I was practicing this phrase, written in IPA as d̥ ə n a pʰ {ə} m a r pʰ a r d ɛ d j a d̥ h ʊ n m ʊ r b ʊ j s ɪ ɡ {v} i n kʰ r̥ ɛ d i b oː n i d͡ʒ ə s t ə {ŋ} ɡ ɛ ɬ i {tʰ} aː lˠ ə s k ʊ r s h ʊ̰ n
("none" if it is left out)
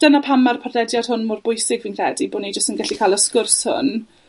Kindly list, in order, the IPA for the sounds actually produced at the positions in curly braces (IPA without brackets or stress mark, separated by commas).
a, v, n, kʰ